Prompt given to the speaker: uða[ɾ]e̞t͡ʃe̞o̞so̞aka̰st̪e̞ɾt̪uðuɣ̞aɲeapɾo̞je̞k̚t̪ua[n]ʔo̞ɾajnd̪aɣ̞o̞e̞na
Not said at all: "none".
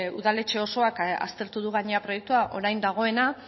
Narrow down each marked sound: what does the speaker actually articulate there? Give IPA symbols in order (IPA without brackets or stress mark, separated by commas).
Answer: l, none